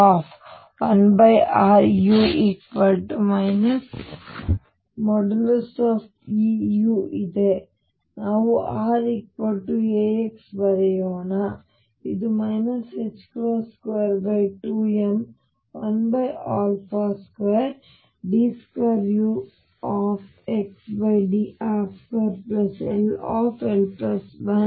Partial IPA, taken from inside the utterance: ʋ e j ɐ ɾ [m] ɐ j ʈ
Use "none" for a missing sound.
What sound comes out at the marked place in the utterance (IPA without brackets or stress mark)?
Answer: b